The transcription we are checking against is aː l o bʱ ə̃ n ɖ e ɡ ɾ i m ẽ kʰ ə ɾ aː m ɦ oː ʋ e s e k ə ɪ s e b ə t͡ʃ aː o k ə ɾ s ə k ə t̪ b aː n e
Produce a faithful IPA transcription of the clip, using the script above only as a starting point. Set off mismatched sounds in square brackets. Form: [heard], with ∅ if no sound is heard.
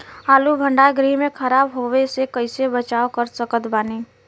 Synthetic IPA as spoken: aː l [u] bʱ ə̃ [ɳ] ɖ [a] ɡ ɾ i m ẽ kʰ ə ɾ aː [b] ɦ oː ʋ e s e k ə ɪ s e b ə t͡ʃ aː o k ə ɾ s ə k ə t̪ b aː n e